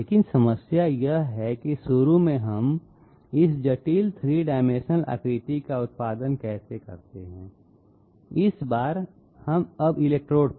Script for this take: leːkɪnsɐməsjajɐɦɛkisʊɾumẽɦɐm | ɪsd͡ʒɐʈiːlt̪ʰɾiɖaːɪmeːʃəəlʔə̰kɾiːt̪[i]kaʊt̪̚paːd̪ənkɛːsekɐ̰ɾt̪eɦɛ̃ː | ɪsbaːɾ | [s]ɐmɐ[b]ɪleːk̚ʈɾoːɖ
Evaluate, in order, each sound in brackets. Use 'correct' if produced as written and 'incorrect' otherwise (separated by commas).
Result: correct, incorrect, correct